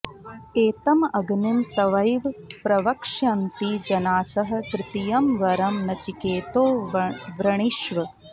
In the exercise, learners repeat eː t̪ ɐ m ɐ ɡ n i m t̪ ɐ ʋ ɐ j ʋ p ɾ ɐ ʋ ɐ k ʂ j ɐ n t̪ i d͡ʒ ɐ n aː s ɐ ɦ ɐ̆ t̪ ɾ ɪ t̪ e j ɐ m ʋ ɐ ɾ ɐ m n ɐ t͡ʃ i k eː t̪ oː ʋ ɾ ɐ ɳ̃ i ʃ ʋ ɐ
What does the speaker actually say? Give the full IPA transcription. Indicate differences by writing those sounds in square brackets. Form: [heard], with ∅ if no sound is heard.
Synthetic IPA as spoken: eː t̪ ɐ m ɐ ɡ n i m t̪ ɐ ʋ ɐ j ʋ p ɾ ɐ ʋ ɐ k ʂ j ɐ n t̪ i d͡ʒ ɐ n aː s ɐ ɦ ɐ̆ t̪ ɾ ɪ t̪ [i] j ɐ m ʋ ɐ ɾ ɐ m n ɐ t͡ʃ i k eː t̪ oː ʋ ɾ ɐ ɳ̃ i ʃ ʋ ɐ